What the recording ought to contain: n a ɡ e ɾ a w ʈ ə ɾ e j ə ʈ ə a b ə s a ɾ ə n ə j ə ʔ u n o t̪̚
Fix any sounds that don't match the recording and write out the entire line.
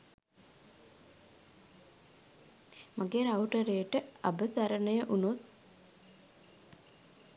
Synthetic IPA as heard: m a ɡ e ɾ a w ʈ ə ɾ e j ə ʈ ə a b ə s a ɾ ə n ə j ə ʔ u n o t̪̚